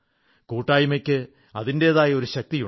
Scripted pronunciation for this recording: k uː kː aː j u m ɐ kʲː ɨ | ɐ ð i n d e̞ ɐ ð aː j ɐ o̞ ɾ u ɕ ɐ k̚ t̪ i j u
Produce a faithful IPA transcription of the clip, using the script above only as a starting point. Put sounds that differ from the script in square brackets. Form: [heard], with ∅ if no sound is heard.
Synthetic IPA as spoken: k uː [ʈː] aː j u m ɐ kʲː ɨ | ɐ ð i n d e̞ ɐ ð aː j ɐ o̞ ɾ u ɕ ɐ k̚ t̪ i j u

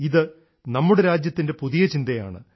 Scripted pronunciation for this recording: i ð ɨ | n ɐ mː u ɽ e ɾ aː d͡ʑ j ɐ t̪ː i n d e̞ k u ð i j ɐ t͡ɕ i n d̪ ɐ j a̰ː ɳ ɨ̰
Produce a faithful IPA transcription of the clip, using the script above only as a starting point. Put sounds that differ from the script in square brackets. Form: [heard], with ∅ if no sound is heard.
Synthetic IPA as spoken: i ð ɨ | n ɐ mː u ɽ e ɾ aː d͡ʑ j ɐ t̪ː i n d e̞ [p] u ð i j ɐ t͡ɕ i n d̪ ɐ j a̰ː ɳ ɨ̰

